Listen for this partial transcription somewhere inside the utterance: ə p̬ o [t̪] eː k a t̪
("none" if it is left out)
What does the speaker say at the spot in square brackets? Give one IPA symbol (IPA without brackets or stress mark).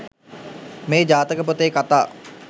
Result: t̪